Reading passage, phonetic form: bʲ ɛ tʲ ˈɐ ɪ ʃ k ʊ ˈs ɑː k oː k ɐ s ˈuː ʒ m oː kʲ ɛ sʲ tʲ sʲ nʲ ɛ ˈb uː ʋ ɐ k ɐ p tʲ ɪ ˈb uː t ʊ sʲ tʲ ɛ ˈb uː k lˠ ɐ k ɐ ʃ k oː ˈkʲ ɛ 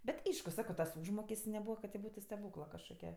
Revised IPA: bʲ ɛ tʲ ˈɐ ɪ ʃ k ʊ ˈs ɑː k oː t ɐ s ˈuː ʒ m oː kʲ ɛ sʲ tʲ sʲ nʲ ɛ ˈb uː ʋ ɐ k ɐ t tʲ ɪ ˈb uː t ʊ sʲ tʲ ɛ ˈb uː k lˠ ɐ k ɐ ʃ k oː ˈkʲ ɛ